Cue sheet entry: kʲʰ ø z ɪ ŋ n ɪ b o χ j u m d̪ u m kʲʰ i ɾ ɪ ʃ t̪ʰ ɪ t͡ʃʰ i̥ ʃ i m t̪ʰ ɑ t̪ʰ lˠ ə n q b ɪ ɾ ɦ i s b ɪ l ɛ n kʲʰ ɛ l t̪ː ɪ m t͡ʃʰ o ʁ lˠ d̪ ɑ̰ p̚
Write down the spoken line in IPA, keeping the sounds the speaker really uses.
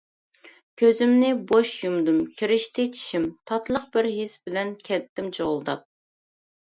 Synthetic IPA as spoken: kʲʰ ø z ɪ m n ɪ b o ʃ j u m d̪ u m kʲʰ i ɾ ɪ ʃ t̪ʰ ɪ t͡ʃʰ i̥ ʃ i m t̪ʰ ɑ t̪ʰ lˠ ə q b ɪ ɾ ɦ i s b ɪ l ɛ n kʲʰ ɛ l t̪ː ɪ m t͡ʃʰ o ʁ lˠ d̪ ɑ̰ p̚